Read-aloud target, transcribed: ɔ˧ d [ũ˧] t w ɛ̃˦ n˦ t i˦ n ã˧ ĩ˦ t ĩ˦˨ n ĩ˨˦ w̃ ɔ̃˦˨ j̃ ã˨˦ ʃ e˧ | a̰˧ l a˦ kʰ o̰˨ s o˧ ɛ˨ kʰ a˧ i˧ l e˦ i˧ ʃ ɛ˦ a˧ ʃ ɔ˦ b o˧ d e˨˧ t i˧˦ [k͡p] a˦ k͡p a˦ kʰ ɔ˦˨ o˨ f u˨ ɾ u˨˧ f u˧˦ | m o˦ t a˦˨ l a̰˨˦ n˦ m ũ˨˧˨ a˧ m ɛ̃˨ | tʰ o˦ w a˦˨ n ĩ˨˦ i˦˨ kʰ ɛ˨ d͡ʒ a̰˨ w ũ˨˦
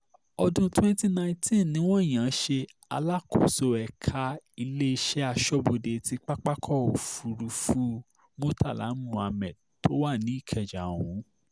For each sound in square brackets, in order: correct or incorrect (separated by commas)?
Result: correct, correct